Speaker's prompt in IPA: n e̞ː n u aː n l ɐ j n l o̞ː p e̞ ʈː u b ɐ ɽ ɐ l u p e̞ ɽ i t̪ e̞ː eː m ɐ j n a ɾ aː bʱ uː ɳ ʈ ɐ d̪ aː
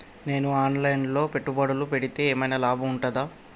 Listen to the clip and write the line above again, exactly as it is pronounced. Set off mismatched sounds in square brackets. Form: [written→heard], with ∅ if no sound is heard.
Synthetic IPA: n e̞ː n u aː n l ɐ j n l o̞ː p e̞ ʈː u b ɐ ɽ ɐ l u p e̞ ɽ i t̪ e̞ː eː m ɐ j n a [ɾ→l] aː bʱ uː ɳ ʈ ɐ d̪ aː